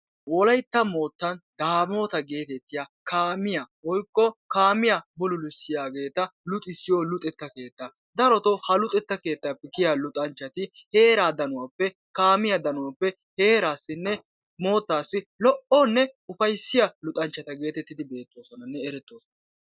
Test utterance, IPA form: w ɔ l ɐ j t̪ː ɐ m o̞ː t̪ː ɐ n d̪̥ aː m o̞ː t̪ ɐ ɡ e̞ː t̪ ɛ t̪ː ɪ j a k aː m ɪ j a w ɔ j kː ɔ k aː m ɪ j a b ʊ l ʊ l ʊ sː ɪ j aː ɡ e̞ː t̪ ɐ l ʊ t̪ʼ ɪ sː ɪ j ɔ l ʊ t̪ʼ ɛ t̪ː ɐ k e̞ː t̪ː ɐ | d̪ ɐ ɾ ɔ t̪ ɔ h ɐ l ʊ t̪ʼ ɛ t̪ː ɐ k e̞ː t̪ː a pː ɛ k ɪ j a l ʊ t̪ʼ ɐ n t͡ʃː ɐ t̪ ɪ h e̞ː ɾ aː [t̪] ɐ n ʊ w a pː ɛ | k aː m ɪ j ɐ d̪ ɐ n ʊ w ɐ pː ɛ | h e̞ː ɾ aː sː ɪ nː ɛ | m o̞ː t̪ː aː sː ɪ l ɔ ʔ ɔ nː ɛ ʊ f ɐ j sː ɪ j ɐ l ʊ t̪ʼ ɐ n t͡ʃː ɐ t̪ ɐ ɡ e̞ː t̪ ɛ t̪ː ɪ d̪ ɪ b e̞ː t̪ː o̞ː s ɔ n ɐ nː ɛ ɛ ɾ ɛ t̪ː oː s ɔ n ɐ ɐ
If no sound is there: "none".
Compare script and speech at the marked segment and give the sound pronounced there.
d̪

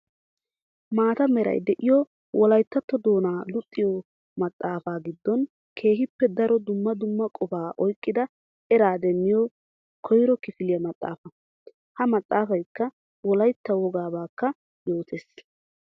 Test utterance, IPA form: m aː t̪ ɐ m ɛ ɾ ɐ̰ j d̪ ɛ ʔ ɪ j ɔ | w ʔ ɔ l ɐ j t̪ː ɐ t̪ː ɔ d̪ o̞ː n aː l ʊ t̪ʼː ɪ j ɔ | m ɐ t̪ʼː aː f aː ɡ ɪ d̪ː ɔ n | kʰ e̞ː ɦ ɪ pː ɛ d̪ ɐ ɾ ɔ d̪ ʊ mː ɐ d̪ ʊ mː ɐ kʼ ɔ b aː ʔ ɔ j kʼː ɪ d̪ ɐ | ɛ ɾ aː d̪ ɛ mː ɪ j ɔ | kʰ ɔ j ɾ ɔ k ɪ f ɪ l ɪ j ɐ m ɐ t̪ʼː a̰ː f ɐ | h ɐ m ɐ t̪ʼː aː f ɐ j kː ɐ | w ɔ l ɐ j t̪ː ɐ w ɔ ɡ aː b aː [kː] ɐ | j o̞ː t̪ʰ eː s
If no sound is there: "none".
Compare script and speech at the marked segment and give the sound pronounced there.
kː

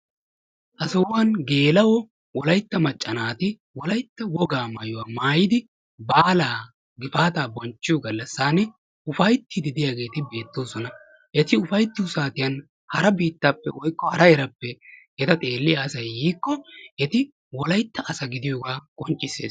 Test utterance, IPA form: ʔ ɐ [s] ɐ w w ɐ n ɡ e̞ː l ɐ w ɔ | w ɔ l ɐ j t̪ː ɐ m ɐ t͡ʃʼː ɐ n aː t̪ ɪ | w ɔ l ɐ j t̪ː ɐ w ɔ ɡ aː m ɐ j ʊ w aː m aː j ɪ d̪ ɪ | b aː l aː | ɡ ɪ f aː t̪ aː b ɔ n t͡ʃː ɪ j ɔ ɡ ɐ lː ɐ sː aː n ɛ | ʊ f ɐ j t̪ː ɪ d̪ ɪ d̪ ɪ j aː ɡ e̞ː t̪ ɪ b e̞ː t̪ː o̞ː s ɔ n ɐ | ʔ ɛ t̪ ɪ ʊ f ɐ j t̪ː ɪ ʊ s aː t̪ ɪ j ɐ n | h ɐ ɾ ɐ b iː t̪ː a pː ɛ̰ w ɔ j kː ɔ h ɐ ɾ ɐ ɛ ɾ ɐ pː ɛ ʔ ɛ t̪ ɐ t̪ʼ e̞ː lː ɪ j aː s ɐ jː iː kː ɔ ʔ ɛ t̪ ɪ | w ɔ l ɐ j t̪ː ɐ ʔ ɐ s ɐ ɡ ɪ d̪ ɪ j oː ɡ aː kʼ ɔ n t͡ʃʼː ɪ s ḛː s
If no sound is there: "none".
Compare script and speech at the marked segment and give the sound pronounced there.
s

